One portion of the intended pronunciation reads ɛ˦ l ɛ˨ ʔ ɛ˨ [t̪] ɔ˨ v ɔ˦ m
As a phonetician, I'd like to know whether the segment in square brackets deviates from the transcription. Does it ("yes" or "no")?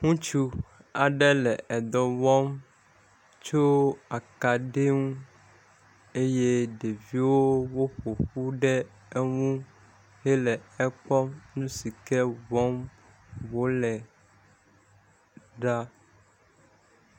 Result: yes